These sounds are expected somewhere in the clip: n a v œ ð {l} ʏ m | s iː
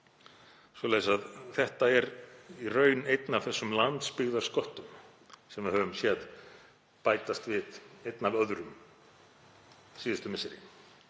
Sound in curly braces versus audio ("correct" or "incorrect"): incorrect